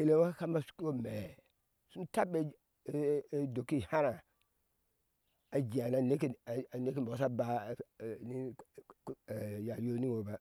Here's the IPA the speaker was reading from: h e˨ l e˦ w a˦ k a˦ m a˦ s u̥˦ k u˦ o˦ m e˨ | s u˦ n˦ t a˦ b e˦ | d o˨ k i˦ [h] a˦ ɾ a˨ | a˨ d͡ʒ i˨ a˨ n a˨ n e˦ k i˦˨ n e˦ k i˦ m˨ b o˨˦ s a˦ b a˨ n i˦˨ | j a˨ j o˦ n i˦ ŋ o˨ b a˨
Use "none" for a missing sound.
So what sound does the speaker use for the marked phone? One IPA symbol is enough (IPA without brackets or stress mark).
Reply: h